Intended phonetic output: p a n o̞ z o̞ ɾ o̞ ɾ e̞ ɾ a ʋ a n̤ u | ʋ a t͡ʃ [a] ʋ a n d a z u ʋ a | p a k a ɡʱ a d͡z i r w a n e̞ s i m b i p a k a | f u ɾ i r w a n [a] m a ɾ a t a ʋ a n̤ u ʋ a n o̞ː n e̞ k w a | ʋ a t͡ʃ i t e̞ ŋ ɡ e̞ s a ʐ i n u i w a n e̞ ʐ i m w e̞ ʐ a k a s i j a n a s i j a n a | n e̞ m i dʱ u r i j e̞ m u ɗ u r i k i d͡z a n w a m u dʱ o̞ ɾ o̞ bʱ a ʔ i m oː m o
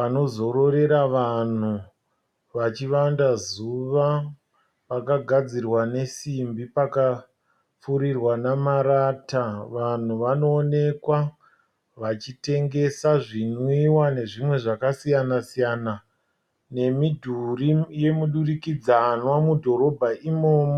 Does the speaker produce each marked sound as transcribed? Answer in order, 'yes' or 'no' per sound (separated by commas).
no, yes